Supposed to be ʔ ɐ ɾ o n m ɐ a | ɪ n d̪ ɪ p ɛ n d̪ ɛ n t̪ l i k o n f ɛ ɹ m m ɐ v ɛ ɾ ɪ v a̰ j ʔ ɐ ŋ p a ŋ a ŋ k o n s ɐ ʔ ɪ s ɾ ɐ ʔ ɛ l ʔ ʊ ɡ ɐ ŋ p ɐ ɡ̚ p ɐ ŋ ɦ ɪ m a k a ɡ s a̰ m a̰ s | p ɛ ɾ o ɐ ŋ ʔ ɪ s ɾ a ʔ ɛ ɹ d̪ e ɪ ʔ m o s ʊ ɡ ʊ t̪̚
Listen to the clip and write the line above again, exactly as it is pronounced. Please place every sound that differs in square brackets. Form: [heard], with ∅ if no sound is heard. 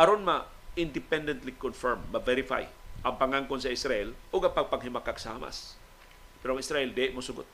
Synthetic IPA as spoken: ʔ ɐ ɾ o n m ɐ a | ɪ n d̪ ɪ p ɛ n d̪ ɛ n t̪ l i k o n f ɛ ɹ m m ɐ v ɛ ɾ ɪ [f] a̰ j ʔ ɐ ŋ p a ŋ a ŋ k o n s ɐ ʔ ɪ s ɾ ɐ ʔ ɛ l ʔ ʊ ɡ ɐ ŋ p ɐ ɡ̚ p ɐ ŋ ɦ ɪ m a k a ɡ s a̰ m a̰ s | p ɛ ɾ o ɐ ŋ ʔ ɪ s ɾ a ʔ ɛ [l] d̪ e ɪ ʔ m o s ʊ ɡ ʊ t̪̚